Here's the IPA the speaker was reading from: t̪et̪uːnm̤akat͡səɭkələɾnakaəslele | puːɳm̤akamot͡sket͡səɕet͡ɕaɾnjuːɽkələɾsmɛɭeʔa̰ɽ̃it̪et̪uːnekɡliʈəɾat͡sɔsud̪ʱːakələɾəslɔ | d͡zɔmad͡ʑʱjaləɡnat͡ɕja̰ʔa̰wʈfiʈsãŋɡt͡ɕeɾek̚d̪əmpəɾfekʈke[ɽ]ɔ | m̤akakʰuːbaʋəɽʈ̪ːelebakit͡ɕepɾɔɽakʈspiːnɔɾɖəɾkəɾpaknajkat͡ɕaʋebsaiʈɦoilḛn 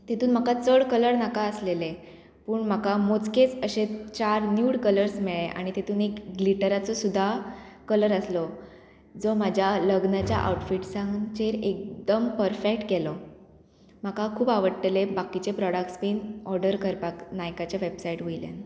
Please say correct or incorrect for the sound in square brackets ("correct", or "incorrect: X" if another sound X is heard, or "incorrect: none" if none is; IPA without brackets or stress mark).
incorrect: l